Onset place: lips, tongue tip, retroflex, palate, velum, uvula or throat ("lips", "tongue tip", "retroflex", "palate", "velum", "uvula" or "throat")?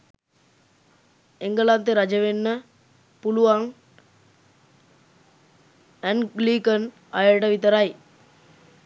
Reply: velum